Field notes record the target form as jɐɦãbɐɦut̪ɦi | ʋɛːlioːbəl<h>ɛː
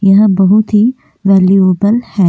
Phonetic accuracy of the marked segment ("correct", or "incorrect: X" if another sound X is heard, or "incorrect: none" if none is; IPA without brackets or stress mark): correct